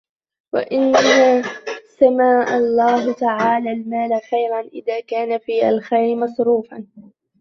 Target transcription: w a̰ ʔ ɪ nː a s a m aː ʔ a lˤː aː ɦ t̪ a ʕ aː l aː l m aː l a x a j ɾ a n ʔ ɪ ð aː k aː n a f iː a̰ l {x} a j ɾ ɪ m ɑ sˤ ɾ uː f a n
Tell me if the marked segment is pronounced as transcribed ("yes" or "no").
yes